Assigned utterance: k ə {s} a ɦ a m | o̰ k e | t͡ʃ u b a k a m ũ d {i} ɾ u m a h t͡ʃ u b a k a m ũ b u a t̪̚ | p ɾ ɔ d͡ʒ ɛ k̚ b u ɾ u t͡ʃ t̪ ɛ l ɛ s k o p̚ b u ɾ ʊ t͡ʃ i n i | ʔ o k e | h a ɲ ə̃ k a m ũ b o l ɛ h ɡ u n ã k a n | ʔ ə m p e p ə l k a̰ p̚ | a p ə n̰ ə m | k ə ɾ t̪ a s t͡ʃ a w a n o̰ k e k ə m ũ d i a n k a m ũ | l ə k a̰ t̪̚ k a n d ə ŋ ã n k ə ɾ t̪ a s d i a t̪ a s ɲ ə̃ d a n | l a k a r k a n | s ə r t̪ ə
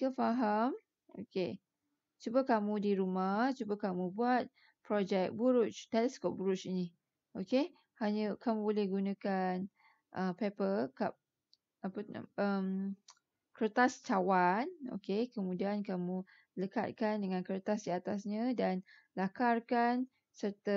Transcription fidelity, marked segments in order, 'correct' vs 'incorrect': incorrect: f, correct

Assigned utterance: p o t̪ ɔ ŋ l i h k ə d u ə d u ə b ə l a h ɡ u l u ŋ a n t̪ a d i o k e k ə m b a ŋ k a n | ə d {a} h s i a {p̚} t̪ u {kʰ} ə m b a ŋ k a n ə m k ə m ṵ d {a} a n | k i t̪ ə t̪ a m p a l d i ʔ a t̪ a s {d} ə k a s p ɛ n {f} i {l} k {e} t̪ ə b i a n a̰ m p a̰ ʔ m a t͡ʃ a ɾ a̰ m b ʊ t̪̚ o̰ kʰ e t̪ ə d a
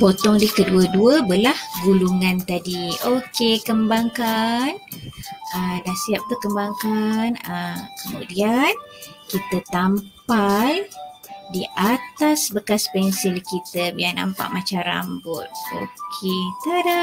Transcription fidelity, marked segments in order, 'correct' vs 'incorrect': correct, correct, incorrect: k, incorrect: i, incorrect: b, incorrect: s, correct, incorrect: i

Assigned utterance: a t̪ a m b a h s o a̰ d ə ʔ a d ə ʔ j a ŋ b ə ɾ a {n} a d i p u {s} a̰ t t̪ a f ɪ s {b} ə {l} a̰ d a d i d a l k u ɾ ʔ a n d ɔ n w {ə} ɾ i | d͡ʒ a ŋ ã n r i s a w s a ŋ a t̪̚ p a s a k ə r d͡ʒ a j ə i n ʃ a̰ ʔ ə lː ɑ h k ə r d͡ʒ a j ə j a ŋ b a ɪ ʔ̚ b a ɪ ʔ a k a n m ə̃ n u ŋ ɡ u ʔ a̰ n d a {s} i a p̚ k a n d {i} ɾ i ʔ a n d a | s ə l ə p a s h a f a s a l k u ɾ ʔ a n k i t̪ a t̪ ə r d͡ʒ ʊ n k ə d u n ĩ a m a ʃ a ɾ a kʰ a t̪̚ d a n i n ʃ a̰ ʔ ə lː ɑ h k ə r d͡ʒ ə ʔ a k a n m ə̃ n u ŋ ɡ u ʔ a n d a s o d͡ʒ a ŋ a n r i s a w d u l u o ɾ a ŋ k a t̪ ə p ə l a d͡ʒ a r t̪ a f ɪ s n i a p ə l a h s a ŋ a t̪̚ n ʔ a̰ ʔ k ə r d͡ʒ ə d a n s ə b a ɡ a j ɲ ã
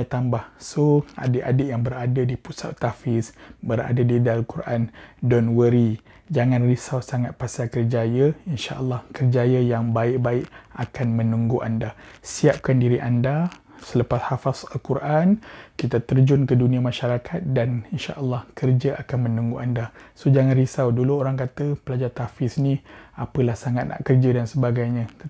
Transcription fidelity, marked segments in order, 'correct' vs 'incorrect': incorrect: d, correct, correct, incorrect: ɾ, correct, correct, correct

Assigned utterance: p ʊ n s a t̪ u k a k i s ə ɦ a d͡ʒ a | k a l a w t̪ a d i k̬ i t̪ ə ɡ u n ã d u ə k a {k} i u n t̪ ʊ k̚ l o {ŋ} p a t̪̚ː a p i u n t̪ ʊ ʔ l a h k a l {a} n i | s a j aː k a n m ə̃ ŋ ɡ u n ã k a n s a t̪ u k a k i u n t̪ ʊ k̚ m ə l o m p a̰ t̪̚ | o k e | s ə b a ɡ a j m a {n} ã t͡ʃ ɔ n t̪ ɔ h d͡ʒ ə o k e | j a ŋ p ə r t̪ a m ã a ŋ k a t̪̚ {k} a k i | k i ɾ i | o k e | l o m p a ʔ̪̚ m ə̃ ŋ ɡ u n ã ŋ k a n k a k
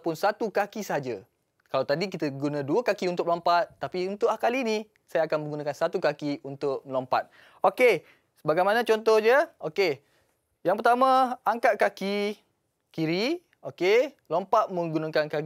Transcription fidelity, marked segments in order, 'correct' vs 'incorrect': correct, incorrect: m, incorrect: i, correct, correct

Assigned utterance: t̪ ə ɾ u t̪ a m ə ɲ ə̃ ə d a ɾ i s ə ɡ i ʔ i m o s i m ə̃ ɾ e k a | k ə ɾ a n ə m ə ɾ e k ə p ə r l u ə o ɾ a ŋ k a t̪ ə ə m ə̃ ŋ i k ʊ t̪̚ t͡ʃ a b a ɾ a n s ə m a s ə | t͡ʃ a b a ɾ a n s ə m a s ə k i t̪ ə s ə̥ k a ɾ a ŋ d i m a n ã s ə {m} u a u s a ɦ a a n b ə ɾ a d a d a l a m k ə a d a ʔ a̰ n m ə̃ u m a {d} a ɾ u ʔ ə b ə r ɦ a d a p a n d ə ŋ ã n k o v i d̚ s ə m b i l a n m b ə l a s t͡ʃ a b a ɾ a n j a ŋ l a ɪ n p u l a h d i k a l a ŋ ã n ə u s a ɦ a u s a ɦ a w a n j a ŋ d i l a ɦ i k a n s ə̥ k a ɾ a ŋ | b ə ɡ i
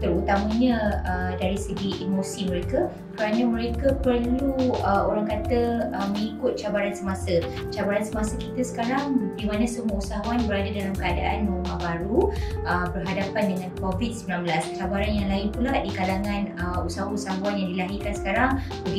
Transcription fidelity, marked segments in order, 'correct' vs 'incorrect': correct, incorrect: b

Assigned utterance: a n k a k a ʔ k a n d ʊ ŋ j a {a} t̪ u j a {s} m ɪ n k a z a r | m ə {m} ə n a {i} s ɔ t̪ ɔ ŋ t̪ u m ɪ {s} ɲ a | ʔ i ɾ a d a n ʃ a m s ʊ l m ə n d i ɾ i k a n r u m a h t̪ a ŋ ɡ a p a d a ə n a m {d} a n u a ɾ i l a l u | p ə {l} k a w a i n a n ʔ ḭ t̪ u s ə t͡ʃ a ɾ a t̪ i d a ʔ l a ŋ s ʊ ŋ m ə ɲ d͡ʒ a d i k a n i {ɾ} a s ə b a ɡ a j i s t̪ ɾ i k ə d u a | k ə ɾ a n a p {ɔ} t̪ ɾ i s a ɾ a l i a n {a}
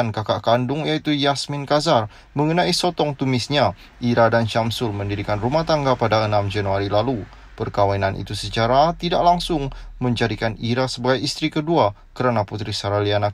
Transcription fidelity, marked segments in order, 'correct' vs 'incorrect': incorrect: i, correct, incorrect: ŋ, correct, correct, incorrect: d͡ʒ, incorrect: r, correct, incorrect: u, correct

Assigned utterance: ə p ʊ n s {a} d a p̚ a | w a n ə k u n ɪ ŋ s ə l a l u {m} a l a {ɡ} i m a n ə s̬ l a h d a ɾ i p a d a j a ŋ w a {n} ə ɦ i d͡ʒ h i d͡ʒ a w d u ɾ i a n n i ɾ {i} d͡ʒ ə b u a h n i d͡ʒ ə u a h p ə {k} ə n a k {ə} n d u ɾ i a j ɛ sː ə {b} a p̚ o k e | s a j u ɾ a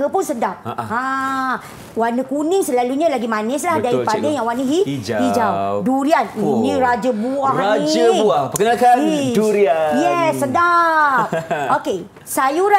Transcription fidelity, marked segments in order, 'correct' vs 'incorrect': incorrect: ə, incorrect: ɲ, correct, correct, incorrect: a, correct, incorrect: a, incorrect: d

